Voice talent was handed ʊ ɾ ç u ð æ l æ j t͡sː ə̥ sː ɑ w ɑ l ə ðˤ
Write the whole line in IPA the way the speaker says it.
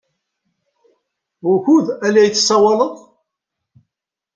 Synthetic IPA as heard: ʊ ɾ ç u ð æ l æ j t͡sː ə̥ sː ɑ w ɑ l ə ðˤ